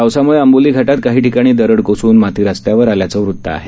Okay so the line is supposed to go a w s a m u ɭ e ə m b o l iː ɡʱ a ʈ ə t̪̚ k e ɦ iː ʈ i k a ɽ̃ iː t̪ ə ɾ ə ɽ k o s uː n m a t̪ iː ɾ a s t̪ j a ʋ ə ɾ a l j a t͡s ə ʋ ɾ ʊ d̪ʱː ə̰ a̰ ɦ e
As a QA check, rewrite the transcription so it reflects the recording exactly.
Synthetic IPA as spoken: a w s a m u ɭ e ə m b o l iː ɡʱ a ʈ a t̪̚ k a ɦ iː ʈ i k a ɽ̃ iː d̪ ə ɾ ə ɽ k o s uː n m a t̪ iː ɾ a s t̪ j a ʋ ə ɾ a l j a t͡s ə ʋ ɾ u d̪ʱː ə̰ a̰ ɦ e